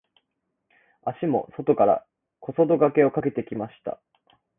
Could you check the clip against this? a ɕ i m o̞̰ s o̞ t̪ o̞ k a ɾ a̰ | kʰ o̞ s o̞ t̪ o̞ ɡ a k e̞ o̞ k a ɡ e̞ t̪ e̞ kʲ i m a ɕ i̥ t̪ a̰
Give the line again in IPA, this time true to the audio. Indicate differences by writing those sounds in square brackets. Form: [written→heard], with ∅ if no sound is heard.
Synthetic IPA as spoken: a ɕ i m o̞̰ s o̞ t̪ o̞ k a ɾ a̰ | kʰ o̞ s o̞ [t̪→d̪] o̞ ɡ a k e̞ o̞ k a [ɡ→k] e̞ t̪ e̞ kʲ i m a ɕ i̥ t̪ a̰